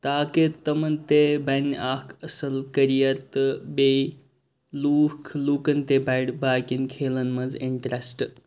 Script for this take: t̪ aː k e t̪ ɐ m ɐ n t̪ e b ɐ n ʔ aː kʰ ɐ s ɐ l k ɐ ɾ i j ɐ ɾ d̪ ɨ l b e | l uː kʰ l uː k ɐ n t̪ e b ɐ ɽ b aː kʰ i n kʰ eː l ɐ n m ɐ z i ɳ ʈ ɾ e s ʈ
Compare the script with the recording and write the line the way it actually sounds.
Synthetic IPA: t̪ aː k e t̪ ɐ m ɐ n t̪ e b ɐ n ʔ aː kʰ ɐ s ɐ l k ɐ ɾ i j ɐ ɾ t̪ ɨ b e | l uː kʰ l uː k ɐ n t̪ e b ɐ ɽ b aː k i n kʰ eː l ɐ n m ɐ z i ɳ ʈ ɾ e s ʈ